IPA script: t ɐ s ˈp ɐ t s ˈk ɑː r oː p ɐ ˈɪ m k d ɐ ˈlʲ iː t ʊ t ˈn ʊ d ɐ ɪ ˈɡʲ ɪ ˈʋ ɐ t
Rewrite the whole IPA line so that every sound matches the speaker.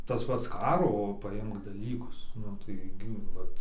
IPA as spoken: t ɐ s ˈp ɐ t s ˈk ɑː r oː p ɐ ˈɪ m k d ɐ ˈlʲ iː k ʊ s ˈn ʊ t ɐ ɪ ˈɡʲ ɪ ˈʋ ɐ t